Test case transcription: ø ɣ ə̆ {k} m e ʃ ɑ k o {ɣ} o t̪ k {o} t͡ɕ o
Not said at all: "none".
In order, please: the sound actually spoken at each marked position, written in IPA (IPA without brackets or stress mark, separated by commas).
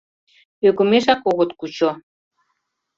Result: none, ɣ, u